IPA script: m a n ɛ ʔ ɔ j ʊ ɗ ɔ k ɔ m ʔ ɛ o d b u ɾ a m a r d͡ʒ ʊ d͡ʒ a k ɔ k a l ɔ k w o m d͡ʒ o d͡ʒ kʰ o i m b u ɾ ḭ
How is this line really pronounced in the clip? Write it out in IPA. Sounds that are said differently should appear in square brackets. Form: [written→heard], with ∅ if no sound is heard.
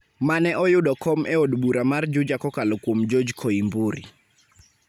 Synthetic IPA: m a n ɛ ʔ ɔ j ʊ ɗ ɔ k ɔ m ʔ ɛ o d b u ɾ a m a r d͡ʒ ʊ d͡ʒ a k ɔ k a l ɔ k w o m d͡ʒ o d͡ʒ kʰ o i m b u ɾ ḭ

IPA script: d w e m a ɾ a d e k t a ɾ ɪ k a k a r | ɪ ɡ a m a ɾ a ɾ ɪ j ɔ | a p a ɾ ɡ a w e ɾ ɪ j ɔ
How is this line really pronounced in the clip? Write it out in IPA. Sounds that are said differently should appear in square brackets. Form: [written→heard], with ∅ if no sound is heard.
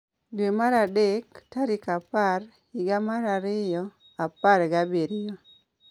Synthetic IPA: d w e m a ɾ a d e k t a ɾ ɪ k a [k→p] a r | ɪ ɡ a m a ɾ a ɾ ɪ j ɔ | a p a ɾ ɡ a [w→b] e ɾ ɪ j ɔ

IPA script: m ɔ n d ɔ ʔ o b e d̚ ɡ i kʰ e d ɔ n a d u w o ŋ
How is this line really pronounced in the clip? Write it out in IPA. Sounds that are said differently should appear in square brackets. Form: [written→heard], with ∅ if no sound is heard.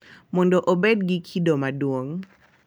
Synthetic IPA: m ɔ n d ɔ ʔ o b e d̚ ɡ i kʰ [e→i] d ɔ [n→m] a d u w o ŋ

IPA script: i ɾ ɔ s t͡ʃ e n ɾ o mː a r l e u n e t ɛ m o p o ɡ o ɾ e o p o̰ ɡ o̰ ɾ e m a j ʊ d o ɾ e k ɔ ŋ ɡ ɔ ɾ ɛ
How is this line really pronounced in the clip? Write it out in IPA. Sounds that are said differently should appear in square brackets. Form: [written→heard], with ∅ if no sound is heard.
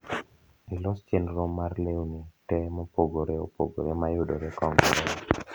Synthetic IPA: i [ɾ→l] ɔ s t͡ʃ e n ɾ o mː a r l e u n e t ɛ m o p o ɡ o ɾ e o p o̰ ɡ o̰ ɾ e m a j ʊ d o ɾ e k ɔ ŋ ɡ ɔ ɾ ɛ

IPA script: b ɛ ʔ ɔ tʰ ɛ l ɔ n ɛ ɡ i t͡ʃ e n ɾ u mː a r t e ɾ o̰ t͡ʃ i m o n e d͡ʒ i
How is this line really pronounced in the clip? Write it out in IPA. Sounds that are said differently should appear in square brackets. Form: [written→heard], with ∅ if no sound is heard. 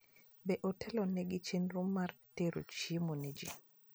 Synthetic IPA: b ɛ ʔ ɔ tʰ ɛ l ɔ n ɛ ɡ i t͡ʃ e n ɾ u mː a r t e ɾ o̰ t͡ʃ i m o n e d͡ʒ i

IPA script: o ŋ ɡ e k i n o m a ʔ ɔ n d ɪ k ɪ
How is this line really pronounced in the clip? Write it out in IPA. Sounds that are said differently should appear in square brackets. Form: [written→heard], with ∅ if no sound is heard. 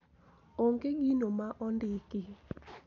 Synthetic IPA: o ŋ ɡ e [k→ɡ] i n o m a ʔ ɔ n d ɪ k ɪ

